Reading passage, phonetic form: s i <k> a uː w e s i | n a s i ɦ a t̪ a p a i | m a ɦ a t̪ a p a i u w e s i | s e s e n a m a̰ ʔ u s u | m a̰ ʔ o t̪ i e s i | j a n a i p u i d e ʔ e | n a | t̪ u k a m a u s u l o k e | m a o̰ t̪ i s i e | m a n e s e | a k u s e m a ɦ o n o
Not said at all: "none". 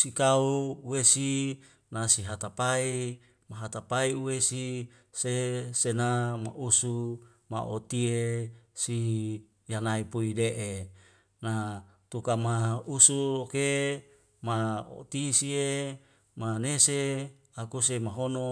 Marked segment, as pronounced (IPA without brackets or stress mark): k